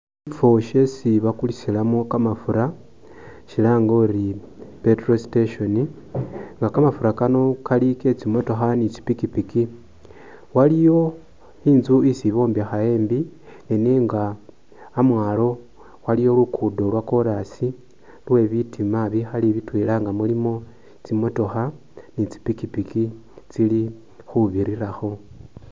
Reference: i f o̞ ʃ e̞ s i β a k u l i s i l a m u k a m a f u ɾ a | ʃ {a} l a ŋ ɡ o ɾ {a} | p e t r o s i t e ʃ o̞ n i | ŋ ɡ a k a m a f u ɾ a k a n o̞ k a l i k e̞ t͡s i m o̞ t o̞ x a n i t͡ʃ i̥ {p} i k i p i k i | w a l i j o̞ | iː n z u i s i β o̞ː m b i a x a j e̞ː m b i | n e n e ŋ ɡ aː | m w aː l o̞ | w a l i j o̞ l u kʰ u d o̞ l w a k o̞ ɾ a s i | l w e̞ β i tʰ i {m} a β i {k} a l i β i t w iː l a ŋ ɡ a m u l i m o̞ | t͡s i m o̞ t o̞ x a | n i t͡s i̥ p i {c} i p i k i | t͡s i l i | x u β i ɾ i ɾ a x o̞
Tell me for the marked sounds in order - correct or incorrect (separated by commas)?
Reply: incorrect, incorrect, correct, correct, incorrect, incorrect